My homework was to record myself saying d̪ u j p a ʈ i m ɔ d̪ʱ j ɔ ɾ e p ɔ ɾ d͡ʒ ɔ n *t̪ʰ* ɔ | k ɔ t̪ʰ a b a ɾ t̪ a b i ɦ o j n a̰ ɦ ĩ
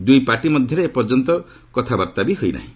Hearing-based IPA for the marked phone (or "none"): t̪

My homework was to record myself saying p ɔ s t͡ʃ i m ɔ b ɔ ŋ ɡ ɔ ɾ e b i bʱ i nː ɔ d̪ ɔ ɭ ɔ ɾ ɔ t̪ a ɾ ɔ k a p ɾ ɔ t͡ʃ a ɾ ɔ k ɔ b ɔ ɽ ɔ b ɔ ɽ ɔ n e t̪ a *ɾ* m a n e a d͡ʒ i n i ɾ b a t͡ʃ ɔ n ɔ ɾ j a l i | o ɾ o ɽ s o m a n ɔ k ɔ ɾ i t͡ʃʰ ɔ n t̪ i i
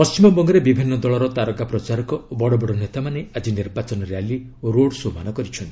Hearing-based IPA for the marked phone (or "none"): none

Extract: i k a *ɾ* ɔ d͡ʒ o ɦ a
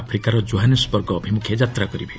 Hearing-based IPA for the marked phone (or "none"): ɾ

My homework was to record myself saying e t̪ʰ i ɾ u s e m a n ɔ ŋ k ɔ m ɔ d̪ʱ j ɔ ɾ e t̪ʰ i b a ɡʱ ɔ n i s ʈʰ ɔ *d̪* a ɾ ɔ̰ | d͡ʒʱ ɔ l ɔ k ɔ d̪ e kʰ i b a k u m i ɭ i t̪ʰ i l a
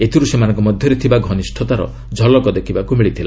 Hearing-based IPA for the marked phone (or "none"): t̪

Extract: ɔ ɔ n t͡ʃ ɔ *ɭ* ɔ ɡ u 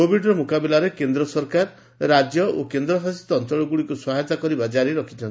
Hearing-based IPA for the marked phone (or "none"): ɭ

